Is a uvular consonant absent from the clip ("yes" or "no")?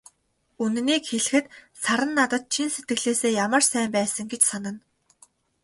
yes